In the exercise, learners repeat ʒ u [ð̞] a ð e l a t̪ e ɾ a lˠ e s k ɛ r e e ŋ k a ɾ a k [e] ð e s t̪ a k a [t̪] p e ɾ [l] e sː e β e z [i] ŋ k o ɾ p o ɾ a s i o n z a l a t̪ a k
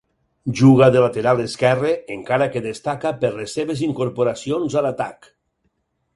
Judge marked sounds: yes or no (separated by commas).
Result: no, yes, no, yes, yes